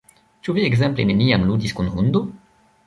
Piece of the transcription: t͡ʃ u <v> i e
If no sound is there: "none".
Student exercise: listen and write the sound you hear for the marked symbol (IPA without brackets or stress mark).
v